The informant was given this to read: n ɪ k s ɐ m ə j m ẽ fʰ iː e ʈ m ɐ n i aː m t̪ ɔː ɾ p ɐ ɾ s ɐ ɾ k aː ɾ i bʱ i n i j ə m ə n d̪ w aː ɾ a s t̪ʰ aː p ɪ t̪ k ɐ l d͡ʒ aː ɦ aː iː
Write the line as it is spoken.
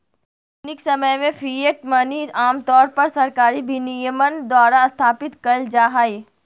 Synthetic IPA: n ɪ k s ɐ m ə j m ẽ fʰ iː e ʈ m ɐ n i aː m t̪ ɔː ɾ p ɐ ɾ s ɐ ɾ k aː ɾ i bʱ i n i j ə m ə n d̪ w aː ɾ a s t̪ʰ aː p ɪ t̪ k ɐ l d͡ʒ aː ɦ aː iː